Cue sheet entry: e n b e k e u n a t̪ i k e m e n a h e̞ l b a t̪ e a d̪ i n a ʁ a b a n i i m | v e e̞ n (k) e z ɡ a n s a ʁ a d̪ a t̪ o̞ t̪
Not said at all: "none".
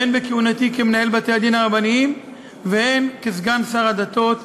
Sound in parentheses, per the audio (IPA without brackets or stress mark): k